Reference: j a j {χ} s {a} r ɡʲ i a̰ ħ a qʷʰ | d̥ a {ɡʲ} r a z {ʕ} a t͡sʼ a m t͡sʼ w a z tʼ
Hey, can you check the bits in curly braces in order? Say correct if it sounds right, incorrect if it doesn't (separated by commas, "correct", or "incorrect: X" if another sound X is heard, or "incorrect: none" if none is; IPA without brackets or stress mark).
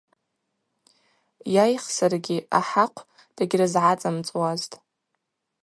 correct, correct, correct, correct